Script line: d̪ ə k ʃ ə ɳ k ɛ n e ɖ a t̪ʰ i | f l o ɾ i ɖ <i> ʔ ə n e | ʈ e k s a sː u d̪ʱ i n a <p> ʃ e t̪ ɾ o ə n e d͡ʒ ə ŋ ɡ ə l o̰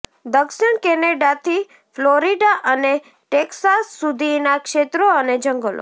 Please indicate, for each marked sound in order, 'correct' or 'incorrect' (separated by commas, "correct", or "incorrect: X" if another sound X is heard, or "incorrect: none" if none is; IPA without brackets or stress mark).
incorrect: a, incorrect: k